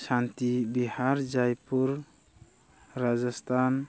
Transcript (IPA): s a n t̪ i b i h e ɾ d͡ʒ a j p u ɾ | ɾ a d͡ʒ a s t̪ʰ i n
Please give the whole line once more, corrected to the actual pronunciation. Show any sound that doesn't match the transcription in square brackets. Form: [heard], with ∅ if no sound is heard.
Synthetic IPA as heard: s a n t̪ i b i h [a] ɾ d͡ʒ a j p u ɾ | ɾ a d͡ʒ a s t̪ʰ [a] n